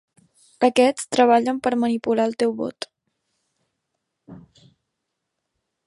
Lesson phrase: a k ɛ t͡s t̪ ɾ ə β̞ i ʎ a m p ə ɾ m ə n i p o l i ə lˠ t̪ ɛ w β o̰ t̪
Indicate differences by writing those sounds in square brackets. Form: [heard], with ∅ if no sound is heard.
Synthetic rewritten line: [ə] k ɛ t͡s t̪ ɾ ə β̞ [a] ʎ [ə] m p ə ɾ m ə n i p [u] l [a] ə lˠ t̪ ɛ w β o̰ t̪